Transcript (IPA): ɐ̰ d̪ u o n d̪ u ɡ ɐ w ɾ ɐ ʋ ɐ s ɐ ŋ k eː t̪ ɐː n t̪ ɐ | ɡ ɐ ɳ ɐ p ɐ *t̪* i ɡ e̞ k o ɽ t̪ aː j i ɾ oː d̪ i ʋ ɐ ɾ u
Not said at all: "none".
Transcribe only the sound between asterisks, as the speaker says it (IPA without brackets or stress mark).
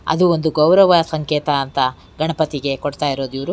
t̪